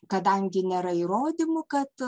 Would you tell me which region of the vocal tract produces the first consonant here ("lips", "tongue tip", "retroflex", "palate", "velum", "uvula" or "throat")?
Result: velum